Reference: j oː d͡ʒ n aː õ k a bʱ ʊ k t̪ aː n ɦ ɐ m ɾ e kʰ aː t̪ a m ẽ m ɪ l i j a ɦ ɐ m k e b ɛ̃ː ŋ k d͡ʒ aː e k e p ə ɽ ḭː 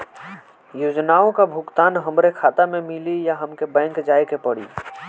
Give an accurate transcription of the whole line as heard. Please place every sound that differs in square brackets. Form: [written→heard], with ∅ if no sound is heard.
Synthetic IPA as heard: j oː d͡ʒ n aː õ k a bʱ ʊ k t̪ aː n ɦ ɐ m ɾ e kʰ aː t̪ a m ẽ m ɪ l i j a ɦ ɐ m k e b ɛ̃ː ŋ k d͡ʒ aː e k e p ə ɽ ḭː